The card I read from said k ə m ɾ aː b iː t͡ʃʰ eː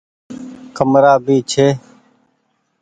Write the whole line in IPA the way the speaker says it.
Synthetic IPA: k ə m ɾ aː b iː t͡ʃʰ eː